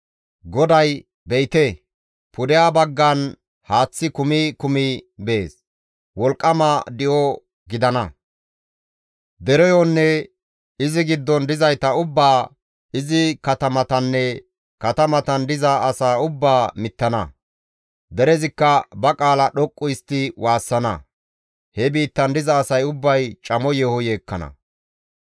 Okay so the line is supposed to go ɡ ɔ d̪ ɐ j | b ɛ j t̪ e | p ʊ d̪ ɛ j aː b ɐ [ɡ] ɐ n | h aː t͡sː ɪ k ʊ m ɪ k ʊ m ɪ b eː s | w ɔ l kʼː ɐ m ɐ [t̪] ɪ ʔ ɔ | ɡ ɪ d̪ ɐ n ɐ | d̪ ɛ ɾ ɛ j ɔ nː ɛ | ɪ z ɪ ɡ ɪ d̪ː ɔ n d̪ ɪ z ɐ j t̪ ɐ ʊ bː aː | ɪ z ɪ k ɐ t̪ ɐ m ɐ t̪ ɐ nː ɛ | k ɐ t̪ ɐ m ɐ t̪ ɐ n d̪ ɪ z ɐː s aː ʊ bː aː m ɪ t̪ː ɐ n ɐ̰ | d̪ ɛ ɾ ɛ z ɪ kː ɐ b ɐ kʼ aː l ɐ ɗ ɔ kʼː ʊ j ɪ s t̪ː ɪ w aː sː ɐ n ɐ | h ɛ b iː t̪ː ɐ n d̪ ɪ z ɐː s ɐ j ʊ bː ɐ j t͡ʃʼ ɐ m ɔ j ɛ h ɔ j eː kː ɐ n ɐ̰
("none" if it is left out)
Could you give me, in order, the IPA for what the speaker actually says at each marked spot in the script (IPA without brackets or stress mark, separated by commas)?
ɡː, d̪